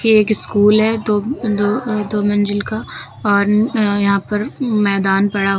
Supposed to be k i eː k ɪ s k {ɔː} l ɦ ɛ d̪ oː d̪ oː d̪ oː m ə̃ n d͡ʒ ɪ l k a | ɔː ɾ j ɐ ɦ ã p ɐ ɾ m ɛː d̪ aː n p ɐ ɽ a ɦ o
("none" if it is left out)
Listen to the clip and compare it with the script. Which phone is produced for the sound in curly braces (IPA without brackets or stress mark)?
uː